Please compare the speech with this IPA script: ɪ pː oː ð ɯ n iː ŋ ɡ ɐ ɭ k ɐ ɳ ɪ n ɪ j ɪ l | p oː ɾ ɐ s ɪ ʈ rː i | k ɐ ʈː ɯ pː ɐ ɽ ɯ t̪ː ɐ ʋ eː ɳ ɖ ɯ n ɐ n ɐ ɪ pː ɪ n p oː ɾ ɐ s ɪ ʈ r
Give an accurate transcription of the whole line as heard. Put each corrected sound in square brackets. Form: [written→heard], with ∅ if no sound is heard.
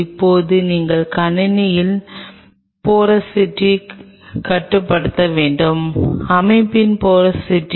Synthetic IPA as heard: ɪ pː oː ð ɯ n iː ŋ ɡ ɐ ɭ k ɐ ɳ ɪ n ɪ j ɪ l | p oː ɾ ɐ s ɪ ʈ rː i | k ɐ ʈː ɯ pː ɐ ɽ ɯ t̪ː ɐ ʋ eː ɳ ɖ ɯ [n→m] ɐ [n→m] ɐ ɪ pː ɪ n p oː ɾ ɐ s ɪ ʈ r